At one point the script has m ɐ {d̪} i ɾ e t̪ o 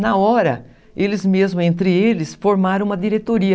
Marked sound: correct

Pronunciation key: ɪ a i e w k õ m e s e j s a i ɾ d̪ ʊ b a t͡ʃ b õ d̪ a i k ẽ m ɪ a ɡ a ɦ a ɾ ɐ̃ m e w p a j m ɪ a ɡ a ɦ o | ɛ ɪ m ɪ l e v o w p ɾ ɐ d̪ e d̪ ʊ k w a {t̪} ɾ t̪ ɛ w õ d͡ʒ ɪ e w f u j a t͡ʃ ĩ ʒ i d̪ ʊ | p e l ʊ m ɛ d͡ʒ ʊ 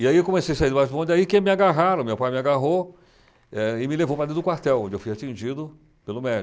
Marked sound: incorrect: none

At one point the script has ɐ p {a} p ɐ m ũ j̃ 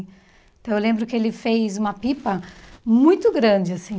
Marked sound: incorrect: i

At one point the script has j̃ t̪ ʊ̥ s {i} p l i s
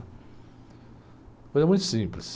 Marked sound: incorrect: ĩ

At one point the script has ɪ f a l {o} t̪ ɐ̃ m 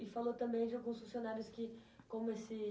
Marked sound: correct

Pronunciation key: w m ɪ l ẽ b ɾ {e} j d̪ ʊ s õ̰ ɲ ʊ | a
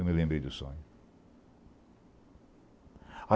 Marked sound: correct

